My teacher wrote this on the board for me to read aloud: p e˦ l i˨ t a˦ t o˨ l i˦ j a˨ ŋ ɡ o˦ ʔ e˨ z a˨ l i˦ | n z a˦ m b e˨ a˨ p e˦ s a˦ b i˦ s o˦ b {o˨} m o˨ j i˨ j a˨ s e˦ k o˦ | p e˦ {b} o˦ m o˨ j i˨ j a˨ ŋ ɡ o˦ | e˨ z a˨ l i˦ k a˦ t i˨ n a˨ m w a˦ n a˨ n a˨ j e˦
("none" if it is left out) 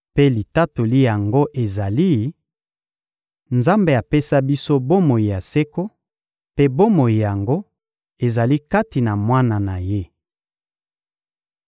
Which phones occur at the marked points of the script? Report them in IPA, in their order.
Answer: o˦, b

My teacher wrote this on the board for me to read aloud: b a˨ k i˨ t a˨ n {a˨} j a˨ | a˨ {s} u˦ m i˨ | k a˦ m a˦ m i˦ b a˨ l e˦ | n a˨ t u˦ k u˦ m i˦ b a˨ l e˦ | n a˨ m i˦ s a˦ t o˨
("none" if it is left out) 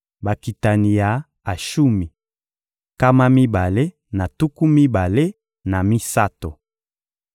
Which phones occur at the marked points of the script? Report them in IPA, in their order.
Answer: i˨, ʃ

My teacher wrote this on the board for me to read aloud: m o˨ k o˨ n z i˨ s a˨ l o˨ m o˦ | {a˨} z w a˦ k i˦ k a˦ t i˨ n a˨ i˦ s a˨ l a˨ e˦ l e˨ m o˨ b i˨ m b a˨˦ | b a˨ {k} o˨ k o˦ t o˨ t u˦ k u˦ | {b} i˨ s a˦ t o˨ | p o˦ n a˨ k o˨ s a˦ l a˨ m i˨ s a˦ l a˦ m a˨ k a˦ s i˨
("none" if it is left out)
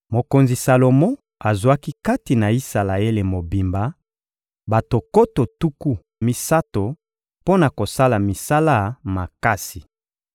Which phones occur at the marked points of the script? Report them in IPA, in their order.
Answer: a˨, t, m

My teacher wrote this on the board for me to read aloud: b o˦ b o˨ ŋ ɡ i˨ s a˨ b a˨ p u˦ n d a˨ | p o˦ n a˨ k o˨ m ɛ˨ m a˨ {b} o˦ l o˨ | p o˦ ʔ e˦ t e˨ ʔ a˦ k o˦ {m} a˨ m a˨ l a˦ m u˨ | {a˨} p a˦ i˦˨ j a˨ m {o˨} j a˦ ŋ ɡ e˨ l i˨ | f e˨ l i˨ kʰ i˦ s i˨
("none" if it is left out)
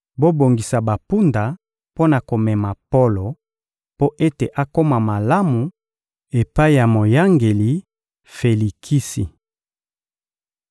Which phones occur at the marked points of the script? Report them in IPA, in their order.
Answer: p, m, e˨, o˨

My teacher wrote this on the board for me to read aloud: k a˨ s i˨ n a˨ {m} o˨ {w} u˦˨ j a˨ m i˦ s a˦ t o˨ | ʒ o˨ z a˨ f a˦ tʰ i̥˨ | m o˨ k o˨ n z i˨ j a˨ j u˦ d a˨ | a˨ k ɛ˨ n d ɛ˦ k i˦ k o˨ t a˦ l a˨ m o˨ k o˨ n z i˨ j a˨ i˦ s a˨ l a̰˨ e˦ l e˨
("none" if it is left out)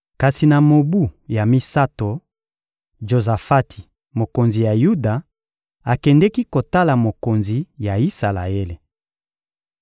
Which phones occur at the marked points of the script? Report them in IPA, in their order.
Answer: m, b

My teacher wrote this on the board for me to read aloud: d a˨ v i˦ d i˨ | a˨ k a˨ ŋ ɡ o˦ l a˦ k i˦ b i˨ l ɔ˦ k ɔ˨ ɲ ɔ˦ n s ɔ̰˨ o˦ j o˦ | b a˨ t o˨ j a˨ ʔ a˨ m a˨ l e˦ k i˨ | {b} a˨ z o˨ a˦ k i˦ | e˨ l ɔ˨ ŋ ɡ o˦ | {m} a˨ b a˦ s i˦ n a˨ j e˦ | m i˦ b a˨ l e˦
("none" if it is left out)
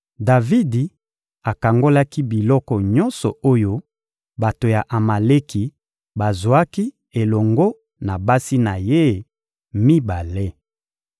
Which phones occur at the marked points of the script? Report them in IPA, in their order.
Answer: b, n

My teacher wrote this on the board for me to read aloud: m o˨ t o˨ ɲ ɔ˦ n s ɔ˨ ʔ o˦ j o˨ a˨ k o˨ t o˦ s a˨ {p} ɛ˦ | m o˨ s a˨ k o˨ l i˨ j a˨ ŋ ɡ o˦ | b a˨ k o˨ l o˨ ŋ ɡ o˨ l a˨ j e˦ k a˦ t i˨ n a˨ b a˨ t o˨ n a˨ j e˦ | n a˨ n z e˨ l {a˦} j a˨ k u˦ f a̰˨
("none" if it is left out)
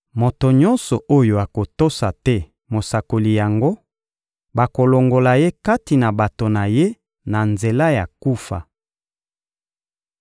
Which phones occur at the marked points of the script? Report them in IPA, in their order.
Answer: t, a˦

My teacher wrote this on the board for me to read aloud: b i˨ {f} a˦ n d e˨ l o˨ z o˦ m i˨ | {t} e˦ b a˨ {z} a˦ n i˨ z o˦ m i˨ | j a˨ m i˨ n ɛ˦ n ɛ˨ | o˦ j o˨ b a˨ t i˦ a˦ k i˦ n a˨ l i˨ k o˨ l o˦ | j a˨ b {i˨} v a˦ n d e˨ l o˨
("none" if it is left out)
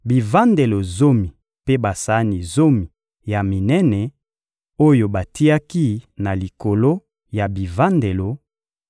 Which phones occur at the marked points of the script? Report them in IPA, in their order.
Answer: v, p, s, i˨

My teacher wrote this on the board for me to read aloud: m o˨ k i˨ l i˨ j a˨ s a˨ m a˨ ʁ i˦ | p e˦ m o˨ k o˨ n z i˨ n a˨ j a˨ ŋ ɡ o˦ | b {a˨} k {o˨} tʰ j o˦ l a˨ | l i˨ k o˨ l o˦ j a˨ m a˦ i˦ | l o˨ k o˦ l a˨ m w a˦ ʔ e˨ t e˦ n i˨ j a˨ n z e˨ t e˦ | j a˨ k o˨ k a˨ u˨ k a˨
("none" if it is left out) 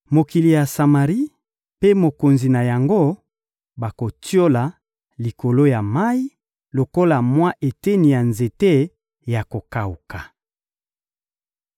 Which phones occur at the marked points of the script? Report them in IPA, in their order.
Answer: a˨, o˨

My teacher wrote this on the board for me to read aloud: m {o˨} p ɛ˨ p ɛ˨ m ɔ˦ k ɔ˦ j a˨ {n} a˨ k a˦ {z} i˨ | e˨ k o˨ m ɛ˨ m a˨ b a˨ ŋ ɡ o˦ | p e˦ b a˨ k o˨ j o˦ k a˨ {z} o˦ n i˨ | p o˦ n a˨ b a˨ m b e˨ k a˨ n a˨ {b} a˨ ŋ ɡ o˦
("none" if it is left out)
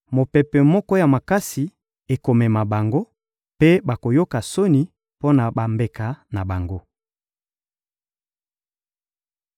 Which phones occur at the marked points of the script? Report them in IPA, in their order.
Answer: o˨, m, s, s, b

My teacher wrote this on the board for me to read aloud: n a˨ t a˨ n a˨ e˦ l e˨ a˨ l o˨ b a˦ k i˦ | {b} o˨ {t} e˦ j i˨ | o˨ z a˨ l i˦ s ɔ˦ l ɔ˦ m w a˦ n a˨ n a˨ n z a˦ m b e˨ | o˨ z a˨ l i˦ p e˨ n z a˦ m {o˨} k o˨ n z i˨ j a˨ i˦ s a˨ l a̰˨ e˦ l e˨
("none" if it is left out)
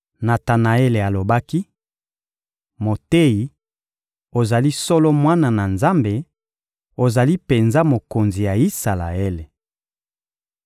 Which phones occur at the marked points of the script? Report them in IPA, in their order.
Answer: m, t, o˨

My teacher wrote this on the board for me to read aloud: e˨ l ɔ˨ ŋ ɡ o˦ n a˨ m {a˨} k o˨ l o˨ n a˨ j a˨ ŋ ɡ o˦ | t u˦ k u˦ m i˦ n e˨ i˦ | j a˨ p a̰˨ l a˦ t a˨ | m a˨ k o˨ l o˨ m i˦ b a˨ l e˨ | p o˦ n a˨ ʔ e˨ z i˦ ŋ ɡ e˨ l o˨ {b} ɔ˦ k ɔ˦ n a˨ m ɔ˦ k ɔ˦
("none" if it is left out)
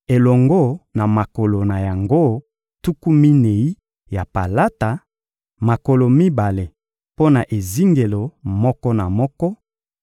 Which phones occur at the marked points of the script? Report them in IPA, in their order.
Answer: a˨, m

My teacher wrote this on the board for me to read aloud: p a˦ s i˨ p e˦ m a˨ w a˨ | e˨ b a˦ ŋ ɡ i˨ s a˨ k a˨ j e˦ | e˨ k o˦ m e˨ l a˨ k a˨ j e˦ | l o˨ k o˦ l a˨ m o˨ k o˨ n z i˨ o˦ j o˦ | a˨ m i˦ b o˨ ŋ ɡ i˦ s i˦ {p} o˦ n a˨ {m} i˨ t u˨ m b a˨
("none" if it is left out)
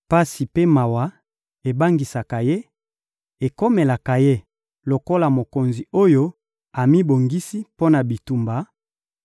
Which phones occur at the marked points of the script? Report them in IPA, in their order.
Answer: p, b

